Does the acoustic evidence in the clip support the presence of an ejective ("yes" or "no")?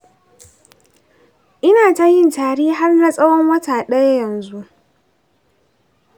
yes